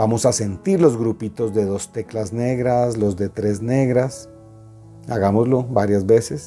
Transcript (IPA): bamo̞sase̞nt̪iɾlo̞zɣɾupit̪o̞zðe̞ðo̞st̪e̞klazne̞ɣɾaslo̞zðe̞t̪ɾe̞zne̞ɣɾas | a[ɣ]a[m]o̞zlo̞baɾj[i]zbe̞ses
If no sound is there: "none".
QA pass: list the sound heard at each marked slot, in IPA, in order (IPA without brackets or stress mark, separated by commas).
ɣ, m, a